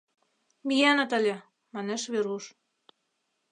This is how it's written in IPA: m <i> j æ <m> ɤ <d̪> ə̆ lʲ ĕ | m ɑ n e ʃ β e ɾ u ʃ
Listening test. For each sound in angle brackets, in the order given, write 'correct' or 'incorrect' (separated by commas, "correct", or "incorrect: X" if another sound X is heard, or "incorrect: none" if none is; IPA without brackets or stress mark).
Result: correct, incorrect: n, incorrect: t̪